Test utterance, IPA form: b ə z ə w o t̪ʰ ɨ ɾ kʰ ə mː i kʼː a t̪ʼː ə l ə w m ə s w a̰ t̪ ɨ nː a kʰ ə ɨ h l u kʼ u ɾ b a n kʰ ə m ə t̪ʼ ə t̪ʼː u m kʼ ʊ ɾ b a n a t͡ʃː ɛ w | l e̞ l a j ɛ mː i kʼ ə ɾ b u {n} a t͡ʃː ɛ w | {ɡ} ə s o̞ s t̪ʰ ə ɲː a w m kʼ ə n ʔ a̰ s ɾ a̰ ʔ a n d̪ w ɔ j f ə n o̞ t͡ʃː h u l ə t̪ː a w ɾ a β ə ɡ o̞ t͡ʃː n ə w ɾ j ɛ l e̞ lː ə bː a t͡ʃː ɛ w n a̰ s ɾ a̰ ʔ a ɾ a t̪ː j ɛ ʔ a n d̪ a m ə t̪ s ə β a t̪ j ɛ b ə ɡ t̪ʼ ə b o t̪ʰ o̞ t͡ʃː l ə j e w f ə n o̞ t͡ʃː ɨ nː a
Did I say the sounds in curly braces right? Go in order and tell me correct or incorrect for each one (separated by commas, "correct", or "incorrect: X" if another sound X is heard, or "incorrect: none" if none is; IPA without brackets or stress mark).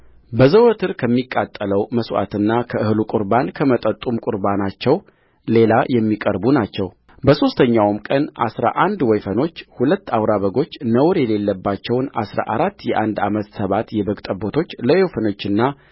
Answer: correct, incorrect: b